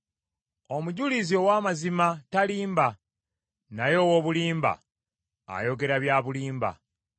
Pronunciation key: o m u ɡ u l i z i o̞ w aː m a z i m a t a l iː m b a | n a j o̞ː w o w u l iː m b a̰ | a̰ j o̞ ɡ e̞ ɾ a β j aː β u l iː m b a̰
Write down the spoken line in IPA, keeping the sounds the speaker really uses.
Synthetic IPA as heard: o m u ɟ u l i z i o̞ w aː m a z i m a t a l iː m b a | n a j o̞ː w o β u l iː m b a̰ | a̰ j o̞ ɡ e̞ ɾ a β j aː β u l iː m b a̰